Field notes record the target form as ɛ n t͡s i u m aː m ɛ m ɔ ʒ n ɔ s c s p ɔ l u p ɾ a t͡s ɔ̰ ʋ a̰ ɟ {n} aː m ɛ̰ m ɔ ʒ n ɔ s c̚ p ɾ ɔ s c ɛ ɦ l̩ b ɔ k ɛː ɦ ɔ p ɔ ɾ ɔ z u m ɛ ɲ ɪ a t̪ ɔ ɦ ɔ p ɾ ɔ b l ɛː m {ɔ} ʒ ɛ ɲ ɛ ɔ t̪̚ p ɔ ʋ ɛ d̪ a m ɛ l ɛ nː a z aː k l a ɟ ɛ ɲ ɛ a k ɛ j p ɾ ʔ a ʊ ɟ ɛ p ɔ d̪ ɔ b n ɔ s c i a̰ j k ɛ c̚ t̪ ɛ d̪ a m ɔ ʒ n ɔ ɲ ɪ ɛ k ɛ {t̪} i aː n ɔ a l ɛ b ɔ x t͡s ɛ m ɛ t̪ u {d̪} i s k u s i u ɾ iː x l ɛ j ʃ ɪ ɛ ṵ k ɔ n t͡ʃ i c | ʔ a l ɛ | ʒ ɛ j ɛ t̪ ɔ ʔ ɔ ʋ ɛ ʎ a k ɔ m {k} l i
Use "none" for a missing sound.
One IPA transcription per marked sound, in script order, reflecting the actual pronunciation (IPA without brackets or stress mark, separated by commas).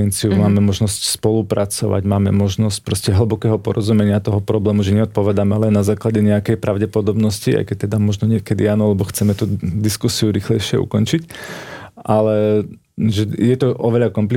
m, u, d̪, d̪, p